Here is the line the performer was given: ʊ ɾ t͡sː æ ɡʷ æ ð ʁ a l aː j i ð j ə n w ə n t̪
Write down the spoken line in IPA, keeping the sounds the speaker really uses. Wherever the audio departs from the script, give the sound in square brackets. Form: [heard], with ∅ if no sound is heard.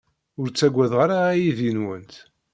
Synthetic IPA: ʊ ɾ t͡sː æ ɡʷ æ ð ʁ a [ɾ] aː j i ð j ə n w ə n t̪